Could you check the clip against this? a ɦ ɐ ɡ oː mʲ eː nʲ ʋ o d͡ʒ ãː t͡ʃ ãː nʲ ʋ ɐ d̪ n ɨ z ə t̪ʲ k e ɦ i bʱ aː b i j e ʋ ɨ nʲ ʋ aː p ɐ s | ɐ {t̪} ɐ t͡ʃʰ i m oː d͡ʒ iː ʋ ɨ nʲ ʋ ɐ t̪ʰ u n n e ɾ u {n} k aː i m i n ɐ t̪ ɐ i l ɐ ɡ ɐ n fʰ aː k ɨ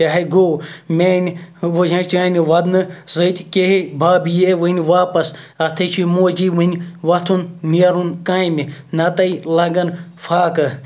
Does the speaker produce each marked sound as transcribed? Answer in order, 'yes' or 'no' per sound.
no, yes

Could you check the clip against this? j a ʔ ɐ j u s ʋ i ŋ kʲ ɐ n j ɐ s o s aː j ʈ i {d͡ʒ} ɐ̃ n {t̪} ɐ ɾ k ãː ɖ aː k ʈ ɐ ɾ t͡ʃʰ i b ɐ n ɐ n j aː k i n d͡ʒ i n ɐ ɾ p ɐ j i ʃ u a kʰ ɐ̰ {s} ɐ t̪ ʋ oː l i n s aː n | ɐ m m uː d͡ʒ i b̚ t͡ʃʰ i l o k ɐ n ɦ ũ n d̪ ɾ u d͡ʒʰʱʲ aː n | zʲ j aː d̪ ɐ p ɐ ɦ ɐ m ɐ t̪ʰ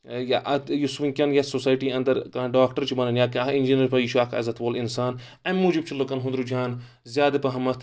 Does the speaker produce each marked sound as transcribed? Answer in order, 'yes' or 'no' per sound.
no, no, no

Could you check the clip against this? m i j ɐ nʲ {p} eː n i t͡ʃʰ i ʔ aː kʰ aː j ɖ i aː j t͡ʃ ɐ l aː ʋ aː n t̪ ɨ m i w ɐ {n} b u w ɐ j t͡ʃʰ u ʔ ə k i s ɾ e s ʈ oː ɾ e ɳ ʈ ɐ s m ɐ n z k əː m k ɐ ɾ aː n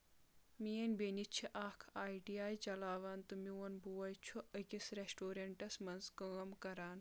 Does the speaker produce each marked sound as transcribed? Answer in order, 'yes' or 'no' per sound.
no, yes

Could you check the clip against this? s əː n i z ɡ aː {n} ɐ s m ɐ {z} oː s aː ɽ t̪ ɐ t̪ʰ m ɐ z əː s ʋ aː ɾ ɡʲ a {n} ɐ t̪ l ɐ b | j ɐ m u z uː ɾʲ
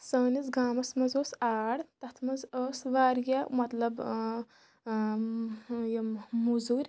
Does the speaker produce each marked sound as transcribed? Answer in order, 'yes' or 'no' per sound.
no, yes, no

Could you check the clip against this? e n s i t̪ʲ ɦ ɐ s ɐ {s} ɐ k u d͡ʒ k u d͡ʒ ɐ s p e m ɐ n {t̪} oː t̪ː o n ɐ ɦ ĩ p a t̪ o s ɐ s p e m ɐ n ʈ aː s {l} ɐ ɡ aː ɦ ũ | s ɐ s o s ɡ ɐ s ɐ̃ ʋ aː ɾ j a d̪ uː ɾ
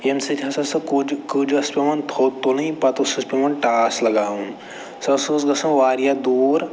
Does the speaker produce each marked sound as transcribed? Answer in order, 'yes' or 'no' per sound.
yes, no, yes

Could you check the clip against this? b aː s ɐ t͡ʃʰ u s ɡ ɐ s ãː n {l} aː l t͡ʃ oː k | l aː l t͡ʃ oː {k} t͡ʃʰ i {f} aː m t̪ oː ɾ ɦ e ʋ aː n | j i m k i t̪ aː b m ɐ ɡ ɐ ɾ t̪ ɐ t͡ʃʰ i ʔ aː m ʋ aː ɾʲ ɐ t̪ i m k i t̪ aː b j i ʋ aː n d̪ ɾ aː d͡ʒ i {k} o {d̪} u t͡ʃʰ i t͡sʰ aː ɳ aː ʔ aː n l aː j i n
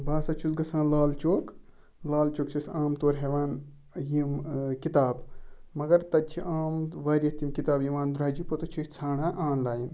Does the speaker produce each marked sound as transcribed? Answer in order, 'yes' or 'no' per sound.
yes, yes, no, no, no

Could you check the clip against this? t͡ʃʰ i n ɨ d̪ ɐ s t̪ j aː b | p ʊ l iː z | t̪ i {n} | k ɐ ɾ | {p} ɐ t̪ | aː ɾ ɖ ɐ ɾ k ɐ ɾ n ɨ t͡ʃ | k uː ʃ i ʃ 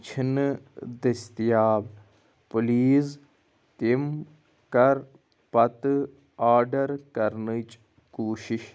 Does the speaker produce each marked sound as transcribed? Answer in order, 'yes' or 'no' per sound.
no, yes

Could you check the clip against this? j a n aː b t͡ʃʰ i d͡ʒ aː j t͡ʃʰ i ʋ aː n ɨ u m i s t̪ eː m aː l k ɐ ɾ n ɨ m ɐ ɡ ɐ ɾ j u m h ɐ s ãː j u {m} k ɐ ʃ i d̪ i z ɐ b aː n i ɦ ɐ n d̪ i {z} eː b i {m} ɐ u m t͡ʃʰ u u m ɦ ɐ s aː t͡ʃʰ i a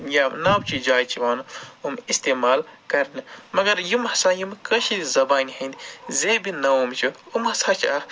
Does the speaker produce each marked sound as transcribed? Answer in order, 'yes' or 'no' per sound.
yes, yes, no

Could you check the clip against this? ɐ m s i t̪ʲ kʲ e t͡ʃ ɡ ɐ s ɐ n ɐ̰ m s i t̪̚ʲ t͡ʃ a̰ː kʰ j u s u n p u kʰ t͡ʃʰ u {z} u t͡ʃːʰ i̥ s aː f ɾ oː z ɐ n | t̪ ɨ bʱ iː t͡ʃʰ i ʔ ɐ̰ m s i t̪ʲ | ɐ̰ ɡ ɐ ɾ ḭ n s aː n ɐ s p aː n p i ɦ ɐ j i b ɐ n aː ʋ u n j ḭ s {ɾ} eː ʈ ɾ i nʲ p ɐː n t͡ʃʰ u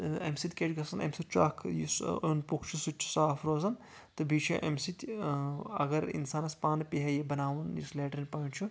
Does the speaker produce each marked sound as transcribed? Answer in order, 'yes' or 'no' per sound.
no, no

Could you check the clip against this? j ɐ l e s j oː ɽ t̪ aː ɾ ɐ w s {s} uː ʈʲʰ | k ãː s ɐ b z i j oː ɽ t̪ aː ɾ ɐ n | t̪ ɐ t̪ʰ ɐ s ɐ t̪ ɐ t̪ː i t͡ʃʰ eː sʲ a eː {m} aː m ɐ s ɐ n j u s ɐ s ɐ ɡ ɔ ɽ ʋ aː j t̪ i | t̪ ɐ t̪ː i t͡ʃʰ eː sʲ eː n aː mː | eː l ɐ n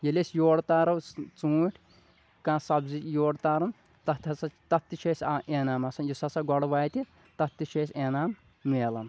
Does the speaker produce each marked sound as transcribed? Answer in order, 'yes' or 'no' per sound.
no, no

